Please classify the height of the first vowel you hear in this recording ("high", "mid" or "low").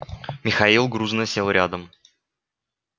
high